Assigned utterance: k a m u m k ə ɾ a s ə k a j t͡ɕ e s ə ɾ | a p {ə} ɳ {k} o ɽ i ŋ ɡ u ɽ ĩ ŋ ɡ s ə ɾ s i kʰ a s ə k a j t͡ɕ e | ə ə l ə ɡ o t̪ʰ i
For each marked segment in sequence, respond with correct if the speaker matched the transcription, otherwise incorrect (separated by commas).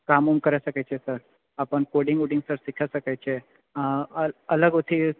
correct, correct